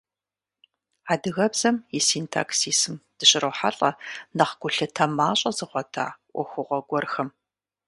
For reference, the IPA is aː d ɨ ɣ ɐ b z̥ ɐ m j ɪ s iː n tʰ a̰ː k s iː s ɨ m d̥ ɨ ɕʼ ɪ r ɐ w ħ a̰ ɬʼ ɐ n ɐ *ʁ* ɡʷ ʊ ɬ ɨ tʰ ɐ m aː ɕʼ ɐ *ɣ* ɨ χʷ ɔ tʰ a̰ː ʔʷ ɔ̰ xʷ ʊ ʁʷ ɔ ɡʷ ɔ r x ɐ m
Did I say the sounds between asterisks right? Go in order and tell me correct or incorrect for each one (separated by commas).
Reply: incorrect, incorrect